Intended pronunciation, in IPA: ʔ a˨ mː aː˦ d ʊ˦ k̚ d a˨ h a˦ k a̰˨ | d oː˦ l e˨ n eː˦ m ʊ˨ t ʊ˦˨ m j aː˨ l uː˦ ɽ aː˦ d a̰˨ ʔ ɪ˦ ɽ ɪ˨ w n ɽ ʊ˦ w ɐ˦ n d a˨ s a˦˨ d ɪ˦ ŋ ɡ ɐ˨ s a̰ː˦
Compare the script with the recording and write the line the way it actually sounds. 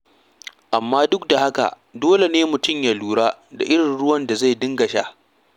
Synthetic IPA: ʔ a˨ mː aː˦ d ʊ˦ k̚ d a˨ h a˦ k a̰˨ | d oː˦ l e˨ n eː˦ m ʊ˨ t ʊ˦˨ m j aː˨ l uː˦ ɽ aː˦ d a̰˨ ʔ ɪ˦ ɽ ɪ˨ n ɽ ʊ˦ w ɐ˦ n d a˨ z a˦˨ d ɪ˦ ŋ ɡ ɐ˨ ʃ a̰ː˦